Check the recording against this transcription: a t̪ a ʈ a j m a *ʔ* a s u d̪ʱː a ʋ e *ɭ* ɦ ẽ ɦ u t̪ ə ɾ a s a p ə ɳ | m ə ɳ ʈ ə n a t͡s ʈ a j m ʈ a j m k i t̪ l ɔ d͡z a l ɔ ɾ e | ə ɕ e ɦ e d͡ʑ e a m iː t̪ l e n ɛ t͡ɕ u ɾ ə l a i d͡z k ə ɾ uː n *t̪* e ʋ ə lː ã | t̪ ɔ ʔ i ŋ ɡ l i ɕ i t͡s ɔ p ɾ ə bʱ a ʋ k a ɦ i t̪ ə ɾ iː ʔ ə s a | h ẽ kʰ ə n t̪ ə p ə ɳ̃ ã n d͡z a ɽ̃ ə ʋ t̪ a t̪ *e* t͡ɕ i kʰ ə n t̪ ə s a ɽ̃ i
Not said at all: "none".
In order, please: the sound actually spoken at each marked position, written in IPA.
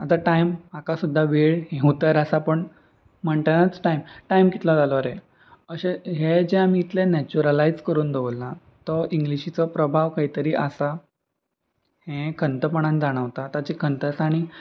k, ɭ, d̪, a

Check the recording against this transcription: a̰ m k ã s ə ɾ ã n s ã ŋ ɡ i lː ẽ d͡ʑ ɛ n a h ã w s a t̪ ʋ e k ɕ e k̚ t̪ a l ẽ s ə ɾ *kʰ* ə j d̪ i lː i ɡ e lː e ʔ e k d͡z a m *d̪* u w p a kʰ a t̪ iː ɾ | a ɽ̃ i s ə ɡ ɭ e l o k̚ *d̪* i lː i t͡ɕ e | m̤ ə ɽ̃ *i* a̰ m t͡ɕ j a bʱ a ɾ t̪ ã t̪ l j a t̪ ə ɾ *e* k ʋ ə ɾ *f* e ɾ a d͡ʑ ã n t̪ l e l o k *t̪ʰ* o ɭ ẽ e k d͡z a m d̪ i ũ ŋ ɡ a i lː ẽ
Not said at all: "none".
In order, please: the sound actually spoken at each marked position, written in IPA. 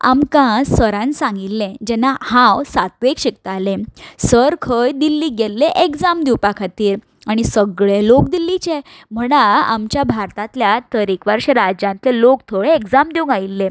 kʰ, d̪, d̪, a, i, ɕ, t̪ʰ

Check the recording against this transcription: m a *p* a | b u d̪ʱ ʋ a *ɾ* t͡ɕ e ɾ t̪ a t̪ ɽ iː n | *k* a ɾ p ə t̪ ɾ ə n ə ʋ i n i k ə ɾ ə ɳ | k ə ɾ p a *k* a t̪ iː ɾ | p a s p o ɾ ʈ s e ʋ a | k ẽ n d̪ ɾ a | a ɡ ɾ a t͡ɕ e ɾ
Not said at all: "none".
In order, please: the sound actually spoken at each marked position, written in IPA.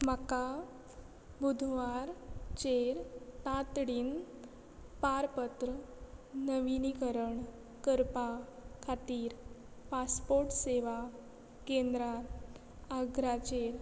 k, ɾ, p, kʰ

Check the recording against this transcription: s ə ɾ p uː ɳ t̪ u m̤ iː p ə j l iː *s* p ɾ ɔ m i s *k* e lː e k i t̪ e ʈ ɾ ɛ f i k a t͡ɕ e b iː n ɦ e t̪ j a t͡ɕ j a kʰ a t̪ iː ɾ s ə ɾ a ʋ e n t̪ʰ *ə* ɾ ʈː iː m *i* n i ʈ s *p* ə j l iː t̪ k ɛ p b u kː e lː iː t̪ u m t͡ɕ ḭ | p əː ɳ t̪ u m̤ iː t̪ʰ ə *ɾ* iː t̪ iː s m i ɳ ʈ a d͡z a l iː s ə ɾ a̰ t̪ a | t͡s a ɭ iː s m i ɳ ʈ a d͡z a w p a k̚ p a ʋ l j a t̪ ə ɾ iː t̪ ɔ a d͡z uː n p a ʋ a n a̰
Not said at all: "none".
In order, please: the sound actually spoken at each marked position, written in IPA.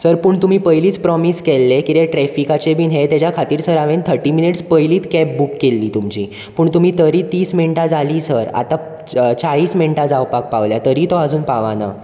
t͡s, k, ə, i, p, ɾ

